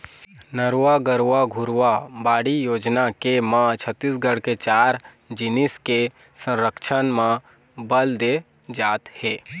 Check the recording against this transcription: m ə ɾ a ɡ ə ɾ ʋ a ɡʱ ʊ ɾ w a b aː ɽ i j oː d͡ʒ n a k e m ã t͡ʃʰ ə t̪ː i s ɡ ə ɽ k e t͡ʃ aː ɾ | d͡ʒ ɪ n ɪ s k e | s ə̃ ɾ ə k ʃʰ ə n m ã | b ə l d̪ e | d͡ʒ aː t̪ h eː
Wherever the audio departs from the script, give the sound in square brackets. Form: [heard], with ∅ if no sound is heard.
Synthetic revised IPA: [n] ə ɾ a ɡ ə ɾ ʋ a ɡʱ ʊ ɾ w a b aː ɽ i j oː d͡ʒ n a k e m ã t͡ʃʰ ə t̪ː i s ɡ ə ɽ k e t͡ʃ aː ɾ | d͡ʒ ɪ n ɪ s k e | s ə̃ ɾ ə k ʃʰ ə n m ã | b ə l d̪ e | d͡ʒ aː t̪ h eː